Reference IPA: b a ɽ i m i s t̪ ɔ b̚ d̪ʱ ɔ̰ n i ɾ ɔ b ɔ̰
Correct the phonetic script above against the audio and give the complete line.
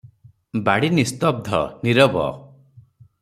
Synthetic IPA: b a ɽ i n i s t̪ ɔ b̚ d̪ʱ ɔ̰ n i ɾ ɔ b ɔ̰